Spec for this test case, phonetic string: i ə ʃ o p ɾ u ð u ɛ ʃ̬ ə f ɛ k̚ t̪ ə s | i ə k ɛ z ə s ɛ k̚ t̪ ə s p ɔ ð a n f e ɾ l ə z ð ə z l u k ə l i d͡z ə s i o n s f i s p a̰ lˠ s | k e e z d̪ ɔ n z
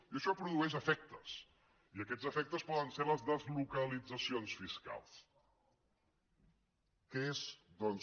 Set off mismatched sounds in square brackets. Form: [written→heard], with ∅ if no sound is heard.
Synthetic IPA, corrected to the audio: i ə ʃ [o→ɔ] p ɾ u ð u ɛ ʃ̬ ə f ɛ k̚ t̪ ə s | i ə k ɛ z ə [s→f] ɛ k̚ t̪ ə s p ɔ ð [a→ə] n [f→s] e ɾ l ə z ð ə z l u k ə l i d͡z ə s i o n s f i s [p→k] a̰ lˠ s | k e e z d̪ ɔ n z